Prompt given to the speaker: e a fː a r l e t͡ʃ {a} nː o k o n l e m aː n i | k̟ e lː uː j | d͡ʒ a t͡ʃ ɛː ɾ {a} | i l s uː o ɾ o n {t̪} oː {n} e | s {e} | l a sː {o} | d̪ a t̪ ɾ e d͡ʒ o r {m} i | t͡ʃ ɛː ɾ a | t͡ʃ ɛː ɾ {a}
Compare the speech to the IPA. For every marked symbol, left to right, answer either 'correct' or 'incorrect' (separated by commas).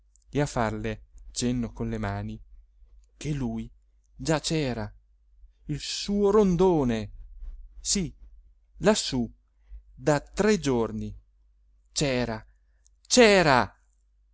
incorrect, correct, incorrect, correct, incorrect, incorrect, incorrect, correct